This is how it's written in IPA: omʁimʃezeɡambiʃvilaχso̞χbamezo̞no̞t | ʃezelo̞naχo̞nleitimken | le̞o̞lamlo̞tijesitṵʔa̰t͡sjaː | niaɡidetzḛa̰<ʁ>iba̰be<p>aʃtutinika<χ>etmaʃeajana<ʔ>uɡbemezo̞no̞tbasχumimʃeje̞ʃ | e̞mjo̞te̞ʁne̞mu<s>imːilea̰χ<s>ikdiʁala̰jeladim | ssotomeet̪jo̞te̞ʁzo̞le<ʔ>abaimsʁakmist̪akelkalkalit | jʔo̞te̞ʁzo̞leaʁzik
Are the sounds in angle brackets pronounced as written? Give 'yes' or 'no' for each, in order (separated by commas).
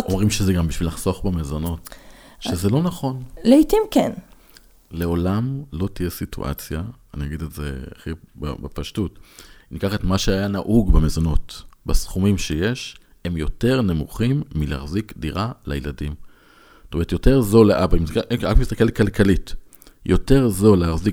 no, yes, yes, yes, no, no, yes